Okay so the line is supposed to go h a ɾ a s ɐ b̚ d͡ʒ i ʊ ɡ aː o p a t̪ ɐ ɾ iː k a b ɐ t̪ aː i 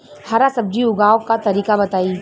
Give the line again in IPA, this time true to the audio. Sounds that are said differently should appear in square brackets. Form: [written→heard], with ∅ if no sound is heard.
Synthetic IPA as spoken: h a ɾ a s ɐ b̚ d͡ʒ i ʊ ɡ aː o [p→k] a t̪ ɐ ɾ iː k a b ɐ t̪ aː i